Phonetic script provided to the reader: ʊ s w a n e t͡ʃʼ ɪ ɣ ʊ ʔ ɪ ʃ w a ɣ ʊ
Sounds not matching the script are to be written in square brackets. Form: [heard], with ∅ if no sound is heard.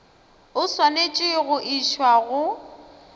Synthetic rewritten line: ʊ s w a n e t͡ʃʼ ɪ ɣ ʊ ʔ [i] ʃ w a ɣ ʊ